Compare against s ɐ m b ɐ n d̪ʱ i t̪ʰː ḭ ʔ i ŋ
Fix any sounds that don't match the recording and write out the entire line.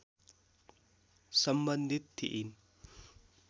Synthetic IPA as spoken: s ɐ m b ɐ n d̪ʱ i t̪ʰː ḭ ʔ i n